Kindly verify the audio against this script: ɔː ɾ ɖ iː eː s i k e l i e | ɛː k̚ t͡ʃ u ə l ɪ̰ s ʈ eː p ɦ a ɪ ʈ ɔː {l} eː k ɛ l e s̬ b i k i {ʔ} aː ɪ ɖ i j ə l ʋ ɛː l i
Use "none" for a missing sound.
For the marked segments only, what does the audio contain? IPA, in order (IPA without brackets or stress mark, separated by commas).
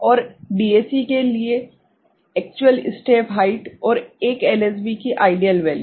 ɾ, ʔ